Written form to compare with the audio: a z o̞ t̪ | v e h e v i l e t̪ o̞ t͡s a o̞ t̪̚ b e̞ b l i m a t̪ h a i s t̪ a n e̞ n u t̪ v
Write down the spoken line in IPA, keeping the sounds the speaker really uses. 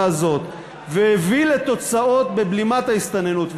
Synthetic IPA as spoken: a z o̞ t̪ | v e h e v i l e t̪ o̞ t͡s a o̞ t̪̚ b e̞ b l i m a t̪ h a i s t̪ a n e̞ n u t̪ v